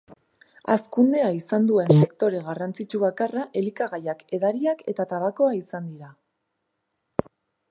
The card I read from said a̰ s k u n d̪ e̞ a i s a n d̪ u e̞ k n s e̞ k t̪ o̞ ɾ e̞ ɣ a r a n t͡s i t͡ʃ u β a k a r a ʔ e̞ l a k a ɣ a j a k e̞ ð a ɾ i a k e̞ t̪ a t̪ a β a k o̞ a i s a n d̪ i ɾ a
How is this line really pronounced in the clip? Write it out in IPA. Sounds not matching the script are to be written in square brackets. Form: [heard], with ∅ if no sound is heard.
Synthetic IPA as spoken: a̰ s k u n d̪ e̞ a i s a n d̪ u e̞ [∅] n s e̞ k t̪ o̞ ɾ e̞ ɣ a r a n t͡s i t͡ʃ u β a k a r a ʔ e̞ l [i] k a ɣ a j a k e̞ ð a ɾ i a k e̞ t̪ a t̪ a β a k o̞ a i s a n d̪ i ɾ a

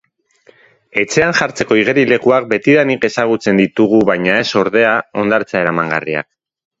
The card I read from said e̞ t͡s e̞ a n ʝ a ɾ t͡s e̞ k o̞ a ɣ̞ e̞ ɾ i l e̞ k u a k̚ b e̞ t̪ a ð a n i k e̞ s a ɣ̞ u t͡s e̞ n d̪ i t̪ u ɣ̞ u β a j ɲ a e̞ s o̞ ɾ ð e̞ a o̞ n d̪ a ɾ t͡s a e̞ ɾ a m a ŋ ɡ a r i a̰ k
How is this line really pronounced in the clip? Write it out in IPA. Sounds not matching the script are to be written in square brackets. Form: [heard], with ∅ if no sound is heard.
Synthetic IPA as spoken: e̞ t͡s e̞ a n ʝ a ɾ t͡s e̞ k o̞ [i] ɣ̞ e̞ ɾ i l e̞ k u a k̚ b e̞ t̪ [i] ð a n i k e̞ s a ɣ̞ u t͡s e̞ n d̪ i t̪ u ɣ̞ u β a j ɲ a e̞ s o̞ ɾ ð e̞ a o̞ n d̪ a ɾ t͡s a e̞ ɾ a m a ŋ ɡ a r i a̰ k

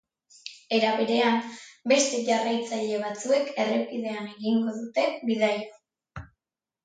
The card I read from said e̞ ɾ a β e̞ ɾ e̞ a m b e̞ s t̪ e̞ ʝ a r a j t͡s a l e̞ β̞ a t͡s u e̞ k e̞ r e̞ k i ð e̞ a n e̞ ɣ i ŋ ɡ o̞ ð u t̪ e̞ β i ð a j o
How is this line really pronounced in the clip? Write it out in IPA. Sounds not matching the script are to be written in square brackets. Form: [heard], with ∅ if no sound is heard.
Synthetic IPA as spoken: e̞ ɾ a β e̞ ɾ e̞ a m b e̞ s t̪ e̞ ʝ a r a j t͡s a [ʎ] e̞ β̞ a t͡s u e̞ k e̞ r e̞ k i ð e̞ a n e̞ ɣ i ŋ ɡ o̞ ð u t̪ e̞ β i ð a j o

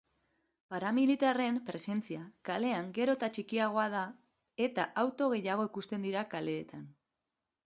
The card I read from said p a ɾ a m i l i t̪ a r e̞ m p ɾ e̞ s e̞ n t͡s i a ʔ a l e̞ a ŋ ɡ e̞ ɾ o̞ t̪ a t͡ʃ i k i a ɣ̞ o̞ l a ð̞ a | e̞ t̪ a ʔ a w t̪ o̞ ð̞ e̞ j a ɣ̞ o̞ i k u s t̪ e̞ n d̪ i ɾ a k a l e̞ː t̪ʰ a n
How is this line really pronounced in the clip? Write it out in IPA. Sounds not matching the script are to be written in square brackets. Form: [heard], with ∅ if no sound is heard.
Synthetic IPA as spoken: p a ɾ a m i l i t̪ a r e̞ m p ɾ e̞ s e̞ n t͡s i a [k] a l e̞ a ŋ ɡ e̞ ɾ o̞ t̪ a t͡ʃ i k i a ɣ̞ o̞ [∅] a ð̞ a | e̞ t̪ a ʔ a w t̪ o̞ [ɣ̞] e̞ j a ɣ̞ o̞ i k u s t̪ e̞ n d̪ i ɾ a k a l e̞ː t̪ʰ a n

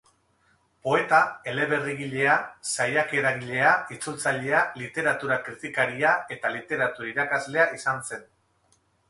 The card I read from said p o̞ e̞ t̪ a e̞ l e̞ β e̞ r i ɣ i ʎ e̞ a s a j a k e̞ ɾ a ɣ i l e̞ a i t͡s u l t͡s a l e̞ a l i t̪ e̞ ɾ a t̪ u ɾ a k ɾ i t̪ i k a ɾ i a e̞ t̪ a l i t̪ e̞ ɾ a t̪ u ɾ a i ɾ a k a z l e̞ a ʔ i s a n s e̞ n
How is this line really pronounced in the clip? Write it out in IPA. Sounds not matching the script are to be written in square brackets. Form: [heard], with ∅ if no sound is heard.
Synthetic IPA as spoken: p o̞ e̞ t̪ a e̞ l e̞ β e̞ r i ɣ i ʎ e̞ a s a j a k e̞ ɾ a ɣ i [ʎ] e̞ a i t͡s u l t͡s a [ʎ] e̞ a l i t̪ e̞ ɾ a t̪ u ɾ a k ɾ i t̪ i k a ɾ i a e̞ t̪ a l i t̪ e̞ ɾ a t̪ u ɾ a i ɾ a k a z l e̞ a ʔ i s a n s e̞ n

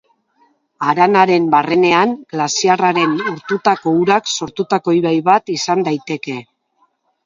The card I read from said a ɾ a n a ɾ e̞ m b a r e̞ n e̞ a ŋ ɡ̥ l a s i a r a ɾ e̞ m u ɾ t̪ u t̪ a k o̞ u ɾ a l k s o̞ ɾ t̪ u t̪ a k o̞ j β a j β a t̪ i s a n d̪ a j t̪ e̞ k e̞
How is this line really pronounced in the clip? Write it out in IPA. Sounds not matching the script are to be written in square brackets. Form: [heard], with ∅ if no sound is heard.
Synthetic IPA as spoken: a ɾ a n a ɾ e̞ m b a r e̞ n e̞ a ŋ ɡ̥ l a s i a r a ɾ e̞ [n] u ɾ t̪ u t̪ a k o̞ u ɾ a [∅] k s o̞ ɾ t̪ u t̪ a k o̞ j β a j β a t̪ i s a n d̪ a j t̪ e̞ k e̞

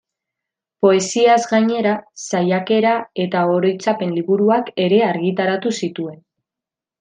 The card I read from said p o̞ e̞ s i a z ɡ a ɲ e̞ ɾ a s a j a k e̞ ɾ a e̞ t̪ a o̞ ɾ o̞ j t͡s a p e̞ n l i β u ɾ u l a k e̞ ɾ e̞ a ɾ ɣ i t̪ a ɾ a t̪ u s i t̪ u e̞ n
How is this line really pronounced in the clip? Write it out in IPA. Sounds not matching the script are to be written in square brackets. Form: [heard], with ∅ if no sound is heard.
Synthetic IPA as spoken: p o̞ e̞ s i a z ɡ a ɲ e̞ ɾ a s a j a k e̞ ɾ a e̞ t̪ a o̞ ɾ o̞ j t͡s a p e̞ n l i β u ɾ u [∅] a k e̞ ɾ e̞ a ɾ ɣ i t̪ a ɾ a t̪ u s i t̪ u e̞ n

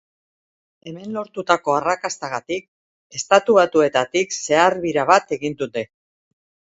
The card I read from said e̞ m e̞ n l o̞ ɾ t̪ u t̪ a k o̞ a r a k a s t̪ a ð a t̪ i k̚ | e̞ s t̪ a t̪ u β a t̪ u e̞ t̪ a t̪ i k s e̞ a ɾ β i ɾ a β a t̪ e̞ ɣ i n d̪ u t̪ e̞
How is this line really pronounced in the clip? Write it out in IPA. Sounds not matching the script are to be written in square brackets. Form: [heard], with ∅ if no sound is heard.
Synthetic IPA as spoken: e̞ m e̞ n l o̞ ɾ t̪ u t̪ a k o̞ a r a k a s t̪ a [ɣ] a t̪ i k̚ | e̞ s t̪ a t̪ u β a t̪ u e̞ t̪ a t̪ i k s e̞ a ɾ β i ɾ a β a t̪ e̞ ɣ i n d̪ u t̪ e̞

